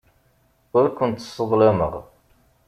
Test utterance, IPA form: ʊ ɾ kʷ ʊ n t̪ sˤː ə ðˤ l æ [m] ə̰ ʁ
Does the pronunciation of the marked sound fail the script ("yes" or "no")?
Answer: no